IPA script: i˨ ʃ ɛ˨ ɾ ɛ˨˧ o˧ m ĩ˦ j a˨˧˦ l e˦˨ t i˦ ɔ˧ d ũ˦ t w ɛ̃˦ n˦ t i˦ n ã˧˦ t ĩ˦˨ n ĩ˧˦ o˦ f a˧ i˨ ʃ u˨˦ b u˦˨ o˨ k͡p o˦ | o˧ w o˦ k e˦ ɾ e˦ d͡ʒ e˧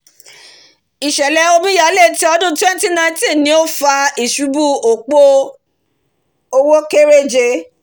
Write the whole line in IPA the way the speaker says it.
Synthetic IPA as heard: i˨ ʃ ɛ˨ l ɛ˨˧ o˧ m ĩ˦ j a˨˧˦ l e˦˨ t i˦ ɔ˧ d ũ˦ t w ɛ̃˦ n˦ t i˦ n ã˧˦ t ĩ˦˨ n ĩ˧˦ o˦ f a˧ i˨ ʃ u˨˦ b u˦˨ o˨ k͡p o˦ | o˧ w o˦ k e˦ ɾ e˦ d͡ʒ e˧